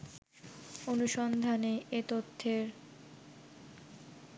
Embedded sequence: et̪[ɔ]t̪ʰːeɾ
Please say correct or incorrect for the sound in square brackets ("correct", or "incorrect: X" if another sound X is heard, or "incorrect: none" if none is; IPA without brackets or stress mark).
incorrect: o